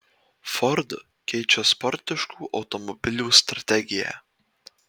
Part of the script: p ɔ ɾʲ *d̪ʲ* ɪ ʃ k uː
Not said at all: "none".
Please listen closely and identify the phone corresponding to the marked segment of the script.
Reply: t̪ʲ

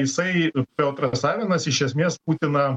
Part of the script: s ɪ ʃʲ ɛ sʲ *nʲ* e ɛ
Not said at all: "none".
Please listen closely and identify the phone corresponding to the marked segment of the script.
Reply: mʲ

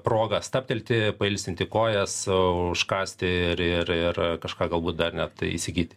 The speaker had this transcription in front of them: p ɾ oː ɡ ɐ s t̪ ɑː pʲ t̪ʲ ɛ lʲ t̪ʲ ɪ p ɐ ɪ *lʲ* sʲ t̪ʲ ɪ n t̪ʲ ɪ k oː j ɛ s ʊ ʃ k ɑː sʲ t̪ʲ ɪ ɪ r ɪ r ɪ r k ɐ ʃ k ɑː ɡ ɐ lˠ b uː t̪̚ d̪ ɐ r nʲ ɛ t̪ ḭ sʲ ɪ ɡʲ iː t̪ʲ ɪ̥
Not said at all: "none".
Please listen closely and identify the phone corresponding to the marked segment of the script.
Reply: lʲ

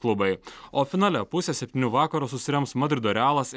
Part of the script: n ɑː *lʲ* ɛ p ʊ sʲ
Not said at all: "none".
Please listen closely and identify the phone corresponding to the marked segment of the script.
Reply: lʲ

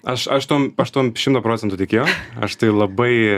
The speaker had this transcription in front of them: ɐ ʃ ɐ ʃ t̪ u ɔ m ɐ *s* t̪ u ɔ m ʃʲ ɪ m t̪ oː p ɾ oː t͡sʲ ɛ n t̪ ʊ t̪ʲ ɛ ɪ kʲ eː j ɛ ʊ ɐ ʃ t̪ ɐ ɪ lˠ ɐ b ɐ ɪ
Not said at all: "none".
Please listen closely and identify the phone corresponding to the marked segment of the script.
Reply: ʃ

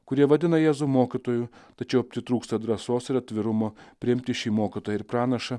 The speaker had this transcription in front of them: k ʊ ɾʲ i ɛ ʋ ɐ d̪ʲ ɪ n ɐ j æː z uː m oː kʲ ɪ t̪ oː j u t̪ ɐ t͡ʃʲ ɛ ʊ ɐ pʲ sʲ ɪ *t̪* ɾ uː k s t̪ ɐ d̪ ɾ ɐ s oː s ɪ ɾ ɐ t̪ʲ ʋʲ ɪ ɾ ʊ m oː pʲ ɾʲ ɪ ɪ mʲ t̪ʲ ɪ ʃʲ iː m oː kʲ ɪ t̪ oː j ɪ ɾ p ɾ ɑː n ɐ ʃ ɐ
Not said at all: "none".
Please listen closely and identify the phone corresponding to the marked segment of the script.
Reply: t̪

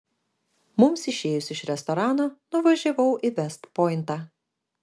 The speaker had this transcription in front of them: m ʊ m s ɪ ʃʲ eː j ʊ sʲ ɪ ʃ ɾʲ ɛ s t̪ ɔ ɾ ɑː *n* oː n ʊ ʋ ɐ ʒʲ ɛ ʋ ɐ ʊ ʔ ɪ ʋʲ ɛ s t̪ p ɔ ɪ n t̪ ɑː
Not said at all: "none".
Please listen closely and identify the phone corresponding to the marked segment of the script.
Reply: n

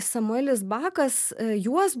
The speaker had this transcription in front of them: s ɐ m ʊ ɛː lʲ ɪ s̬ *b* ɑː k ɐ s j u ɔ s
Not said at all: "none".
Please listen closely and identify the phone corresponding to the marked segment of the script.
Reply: b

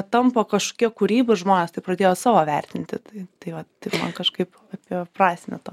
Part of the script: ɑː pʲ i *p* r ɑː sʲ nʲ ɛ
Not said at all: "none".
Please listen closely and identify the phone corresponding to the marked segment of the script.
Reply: p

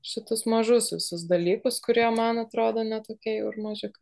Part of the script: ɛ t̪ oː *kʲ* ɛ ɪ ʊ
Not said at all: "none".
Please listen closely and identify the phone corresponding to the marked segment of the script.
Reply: kʲ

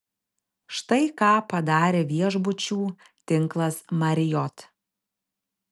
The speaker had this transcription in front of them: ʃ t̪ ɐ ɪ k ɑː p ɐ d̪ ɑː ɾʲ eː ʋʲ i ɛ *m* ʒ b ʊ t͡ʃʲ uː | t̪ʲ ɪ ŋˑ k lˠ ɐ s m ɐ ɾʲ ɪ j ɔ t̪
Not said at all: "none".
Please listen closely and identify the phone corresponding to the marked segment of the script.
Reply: none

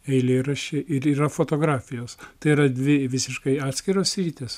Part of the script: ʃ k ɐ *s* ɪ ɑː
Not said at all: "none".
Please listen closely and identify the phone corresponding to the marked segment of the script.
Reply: none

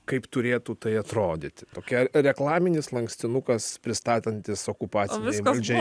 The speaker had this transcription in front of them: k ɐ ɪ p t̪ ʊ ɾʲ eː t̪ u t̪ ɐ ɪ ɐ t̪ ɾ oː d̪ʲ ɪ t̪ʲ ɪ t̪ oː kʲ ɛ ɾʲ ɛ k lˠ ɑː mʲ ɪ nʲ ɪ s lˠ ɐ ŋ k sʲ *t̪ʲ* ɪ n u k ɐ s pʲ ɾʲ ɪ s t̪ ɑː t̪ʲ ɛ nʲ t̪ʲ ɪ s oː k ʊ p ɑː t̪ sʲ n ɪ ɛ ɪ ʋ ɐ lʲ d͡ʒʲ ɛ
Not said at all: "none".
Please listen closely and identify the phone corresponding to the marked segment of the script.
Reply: t̪ʲ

